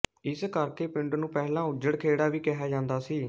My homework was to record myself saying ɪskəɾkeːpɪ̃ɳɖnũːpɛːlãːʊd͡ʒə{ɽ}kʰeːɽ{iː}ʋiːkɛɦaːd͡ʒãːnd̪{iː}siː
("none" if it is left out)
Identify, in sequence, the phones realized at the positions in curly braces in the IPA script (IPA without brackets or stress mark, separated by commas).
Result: ɽ, aː, aː